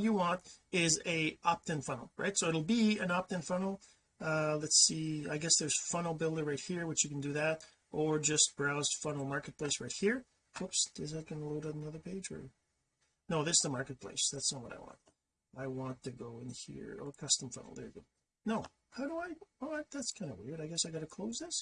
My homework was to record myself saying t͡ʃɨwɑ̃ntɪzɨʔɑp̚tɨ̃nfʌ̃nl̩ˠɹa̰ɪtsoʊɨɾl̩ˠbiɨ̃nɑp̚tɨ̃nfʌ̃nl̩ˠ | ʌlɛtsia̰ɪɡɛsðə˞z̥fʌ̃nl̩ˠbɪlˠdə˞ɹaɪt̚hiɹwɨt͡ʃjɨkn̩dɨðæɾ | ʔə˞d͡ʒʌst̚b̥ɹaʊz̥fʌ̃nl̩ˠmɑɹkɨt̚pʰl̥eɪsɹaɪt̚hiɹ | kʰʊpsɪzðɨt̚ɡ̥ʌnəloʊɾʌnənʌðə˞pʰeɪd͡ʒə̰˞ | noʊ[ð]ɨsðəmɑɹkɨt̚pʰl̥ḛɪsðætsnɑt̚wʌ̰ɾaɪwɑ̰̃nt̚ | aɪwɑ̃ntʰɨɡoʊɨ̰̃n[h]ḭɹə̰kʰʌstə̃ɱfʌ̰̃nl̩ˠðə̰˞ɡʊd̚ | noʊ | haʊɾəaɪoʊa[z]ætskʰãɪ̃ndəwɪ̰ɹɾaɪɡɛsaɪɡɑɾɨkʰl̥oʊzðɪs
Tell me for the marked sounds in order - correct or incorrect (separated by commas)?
correct, correct, incorrect